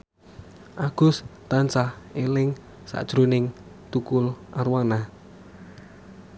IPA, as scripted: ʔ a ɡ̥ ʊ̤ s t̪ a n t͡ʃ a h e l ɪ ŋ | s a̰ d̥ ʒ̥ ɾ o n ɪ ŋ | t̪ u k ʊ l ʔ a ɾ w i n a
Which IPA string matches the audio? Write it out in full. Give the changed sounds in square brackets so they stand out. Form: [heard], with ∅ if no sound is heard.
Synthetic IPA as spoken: ʔ a ɡ̥ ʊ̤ s t̪ a n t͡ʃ a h e l ɪ ŋ | s a̰ d̥ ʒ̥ ɾ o n ɪ ŋ | t̪ u k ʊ l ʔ a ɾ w [a] n a